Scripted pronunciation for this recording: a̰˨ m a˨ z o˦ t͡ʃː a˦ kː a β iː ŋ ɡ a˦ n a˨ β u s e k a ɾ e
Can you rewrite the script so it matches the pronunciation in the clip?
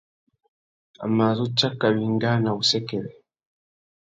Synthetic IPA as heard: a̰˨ m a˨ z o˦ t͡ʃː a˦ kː a β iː ŋ ɡ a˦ n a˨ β u s e k e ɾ e